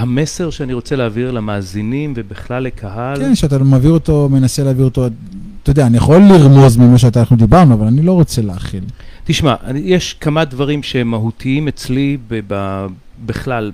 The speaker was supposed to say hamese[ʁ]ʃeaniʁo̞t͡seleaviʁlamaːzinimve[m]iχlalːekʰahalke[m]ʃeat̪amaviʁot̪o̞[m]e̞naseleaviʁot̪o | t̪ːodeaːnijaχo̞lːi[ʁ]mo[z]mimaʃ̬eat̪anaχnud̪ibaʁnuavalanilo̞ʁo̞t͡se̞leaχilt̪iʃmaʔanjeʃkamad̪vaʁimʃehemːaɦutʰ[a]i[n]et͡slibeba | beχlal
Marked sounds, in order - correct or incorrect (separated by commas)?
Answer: correct, incorrect, incorrect, correct, correct, correct, incorrect, incorrect